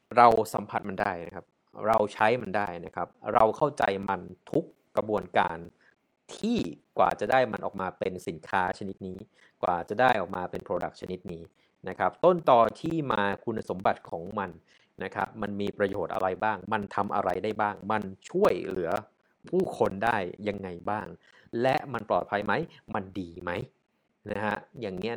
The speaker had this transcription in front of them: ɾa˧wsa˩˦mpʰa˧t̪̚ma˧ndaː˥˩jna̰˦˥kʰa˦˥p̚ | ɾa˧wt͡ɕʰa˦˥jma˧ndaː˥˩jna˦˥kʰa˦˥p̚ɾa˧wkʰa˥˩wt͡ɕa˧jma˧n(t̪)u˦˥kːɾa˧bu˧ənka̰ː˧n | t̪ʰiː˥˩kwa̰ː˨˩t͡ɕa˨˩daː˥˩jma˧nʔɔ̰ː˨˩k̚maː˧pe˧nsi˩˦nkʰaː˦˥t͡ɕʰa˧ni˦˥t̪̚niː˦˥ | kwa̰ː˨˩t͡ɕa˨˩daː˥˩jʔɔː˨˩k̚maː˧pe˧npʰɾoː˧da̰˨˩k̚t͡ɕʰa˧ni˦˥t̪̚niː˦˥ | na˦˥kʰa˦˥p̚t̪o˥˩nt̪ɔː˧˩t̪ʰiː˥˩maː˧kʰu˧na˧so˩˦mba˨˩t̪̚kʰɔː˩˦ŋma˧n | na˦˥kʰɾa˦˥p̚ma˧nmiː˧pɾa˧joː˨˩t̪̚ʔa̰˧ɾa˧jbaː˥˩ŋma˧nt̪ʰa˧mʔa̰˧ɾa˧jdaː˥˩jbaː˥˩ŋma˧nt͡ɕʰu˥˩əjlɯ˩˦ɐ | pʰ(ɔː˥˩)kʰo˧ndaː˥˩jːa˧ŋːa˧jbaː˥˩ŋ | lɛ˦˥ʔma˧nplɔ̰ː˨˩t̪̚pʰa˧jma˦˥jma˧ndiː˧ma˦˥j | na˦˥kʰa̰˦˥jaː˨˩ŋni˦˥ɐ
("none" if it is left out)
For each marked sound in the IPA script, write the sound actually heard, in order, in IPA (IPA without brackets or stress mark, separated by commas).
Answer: t̪ʰ, uː˥˩